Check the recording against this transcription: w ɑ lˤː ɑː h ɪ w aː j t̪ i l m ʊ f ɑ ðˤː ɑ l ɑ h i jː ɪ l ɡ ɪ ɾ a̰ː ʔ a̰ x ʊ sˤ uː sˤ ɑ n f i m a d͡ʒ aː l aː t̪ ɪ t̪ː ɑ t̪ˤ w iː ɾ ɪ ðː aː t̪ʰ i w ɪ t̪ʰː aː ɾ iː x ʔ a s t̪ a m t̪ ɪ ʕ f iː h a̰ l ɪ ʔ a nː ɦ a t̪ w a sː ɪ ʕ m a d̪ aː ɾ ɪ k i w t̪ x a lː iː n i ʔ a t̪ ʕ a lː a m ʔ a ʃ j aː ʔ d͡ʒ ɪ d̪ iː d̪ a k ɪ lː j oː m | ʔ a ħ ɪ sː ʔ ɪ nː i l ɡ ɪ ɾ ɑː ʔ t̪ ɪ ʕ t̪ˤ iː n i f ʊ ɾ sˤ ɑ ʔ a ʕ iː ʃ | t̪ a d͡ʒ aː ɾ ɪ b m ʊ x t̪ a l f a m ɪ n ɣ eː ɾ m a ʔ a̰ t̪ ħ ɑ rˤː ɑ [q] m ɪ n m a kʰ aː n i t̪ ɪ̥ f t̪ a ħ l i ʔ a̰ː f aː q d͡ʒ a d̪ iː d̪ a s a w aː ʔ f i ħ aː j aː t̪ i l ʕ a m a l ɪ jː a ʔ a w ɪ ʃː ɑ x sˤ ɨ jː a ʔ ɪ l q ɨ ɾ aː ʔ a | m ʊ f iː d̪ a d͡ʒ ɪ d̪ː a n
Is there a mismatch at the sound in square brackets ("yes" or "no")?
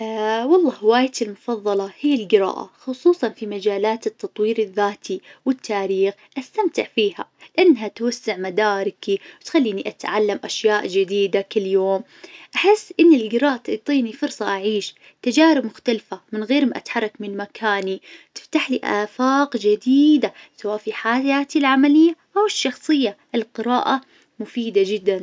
yes